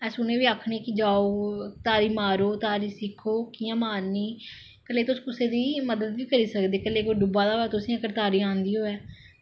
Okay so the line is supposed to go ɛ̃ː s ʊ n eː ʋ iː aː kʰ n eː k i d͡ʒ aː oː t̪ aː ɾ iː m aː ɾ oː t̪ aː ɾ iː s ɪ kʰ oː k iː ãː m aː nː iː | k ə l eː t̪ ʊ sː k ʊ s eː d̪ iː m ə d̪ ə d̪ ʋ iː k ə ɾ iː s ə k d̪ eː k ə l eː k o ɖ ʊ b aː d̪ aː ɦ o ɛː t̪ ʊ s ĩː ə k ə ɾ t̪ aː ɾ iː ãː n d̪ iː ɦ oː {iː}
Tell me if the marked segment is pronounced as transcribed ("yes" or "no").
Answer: no